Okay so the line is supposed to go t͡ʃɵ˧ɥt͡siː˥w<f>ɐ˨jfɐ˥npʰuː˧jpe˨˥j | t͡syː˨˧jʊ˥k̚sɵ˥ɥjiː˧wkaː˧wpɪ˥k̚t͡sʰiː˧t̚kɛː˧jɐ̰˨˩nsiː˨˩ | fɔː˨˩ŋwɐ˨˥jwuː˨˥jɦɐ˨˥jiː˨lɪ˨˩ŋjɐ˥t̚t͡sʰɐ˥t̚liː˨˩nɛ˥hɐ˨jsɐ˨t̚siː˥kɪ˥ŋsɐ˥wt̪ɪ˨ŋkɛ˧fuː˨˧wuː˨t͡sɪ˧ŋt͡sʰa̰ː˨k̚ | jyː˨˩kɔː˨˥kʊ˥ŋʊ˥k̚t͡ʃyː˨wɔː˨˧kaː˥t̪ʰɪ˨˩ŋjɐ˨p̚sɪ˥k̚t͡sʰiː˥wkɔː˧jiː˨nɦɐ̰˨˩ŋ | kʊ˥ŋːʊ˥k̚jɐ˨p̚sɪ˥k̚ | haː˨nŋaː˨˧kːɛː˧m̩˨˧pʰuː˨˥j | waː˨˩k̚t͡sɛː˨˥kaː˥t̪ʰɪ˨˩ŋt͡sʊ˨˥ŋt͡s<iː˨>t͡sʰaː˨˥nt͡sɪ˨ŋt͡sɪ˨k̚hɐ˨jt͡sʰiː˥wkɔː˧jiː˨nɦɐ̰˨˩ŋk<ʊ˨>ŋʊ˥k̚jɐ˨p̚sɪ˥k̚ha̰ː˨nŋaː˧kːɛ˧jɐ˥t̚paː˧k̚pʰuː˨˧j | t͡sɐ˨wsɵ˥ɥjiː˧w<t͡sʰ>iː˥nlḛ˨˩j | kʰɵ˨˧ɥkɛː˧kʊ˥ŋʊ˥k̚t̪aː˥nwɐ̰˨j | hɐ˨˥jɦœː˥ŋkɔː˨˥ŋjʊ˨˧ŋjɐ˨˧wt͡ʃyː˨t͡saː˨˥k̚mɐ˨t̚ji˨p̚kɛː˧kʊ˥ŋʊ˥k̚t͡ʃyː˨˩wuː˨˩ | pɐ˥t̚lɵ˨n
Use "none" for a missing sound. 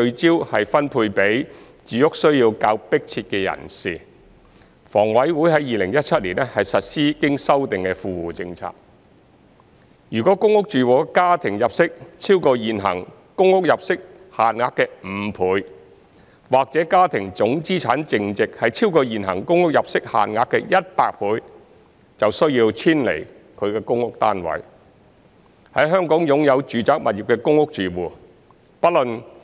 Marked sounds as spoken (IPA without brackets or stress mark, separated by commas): h, iː˥, ʊ˥, t͡sʰ